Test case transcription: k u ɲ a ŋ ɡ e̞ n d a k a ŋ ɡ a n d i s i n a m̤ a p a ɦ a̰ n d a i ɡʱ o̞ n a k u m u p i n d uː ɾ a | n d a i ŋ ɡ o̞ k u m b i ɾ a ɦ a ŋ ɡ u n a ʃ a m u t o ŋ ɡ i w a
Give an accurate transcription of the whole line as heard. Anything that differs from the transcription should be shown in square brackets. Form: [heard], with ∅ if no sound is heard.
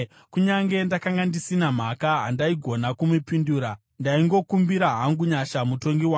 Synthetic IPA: k u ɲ a ŋ ɡ e̞ n d a k a ŋ ɡ a n d i s i n a m̤ a [k] a ɦ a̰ n d a i ɡʱ o̞ n a k u m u p i n d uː ɾ a | n d a i ŋ ɡ o̞ k u m b i ɾ a ɦ a ŋ ɡ u [ɲ] a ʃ a m u t o ŋ ɡ i w a